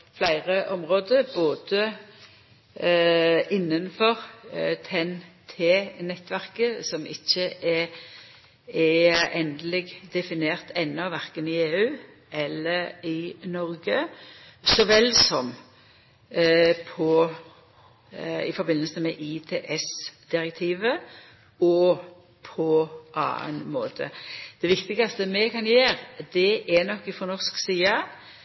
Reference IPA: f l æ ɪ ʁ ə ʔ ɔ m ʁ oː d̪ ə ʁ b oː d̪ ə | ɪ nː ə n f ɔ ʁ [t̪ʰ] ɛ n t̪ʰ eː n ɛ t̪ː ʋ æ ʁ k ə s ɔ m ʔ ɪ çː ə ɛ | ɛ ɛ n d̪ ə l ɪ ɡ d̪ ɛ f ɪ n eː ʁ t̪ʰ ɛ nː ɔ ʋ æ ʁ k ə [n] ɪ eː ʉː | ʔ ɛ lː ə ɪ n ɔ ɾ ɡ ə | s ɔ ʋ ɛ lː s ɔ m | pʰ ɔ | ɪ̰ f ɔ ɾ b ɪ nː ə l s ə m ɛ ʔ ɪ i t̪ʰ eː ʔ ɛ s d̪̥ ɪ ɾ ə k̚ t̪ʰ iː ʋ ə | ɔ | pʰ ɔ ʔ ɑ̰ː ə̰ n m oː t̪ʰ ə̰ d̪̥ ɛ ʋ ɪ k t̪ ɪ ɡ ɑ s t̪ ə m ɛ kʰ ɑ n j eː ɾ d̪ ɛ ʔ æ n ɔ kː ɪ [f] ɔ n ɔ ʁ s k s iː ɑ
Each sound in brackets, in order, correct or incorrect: correct, correct, correct

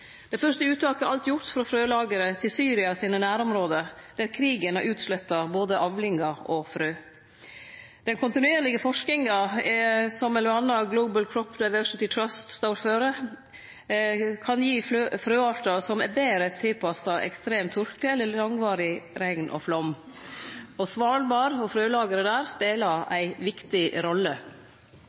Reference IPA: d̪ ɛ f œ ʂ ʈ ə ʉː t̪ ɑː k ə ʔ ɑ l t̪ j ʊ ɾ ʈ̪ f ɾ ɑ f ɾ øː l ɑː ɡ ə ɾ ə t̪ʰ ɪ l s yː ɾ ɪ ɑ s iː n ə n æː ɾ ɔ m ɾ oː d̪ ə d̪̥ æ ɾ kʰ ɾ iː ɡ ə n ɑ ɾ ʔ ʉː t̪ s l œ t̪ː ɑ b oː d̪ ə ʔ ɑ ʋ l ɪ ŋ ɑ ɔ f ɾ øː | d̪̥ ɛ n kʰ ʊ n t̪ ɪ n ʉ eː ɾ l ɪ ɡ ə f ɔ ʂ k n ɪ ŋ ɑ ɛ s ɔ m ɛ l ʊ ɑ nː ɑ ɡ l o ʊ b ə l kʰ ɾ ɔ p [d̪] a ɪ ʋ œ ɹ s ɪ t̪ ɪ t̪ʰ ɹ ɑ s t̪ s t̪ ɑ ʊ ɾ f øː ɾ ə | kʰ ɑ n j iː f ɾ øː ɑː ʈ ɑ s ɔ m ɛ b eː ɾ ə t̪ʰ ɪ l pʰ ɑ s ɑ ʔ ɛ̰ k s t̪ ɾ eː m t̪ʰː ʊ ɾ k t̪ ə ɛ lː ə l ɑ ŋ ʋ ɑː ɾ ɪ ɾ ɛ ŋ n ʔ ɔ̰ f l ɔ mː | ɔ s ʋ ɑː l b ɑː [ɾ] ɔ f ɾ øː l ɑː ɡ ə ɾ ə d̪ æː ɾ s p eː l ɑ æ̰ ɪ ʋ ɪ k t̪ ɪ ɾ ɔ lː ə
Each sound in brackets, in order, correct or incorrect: correct, correct

